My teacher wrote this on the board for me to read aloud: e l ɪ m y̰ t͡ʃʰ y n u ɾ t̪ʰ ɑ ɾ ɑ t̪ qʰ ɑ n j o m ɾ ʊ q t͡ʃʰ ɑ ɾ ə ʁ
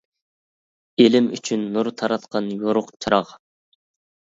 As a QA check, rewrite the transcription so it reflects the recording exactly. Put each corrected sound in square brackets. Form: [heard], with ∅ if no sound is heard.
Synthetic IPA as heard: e l ɪ m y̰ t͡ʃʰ y [nː] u ɾ t̪ʰ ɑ ɾ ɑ t̪ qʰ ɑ n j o [∅] ɾ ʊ q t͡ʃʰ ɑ ɾ [ɑ] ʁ